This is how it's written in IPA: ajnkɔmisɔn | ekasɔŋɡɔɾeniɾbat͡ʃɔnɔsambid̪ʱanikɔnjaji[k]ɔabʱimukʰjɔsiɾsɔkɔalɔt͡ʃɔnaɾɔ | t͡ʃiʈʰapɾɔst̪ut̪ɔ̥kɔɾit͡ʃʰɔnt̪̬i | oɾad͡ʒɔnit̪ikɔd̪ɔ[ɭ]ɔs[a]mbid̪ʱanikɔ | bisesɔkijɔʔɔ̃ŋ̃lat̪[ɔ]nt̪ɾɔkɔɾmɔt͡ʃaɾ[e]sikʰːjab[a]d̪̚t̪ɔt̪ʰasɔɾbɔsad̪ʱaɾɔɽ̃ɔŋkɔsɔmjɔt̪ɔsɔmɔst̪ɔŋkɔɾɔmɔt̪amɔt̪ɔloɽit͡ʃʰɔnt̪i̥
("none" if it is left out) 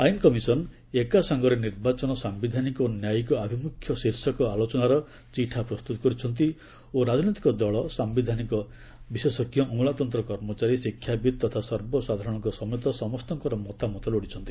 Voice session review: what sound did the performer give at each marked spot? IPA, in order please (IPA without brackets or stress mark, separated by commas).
k, ɭ, a, ɔ, i, i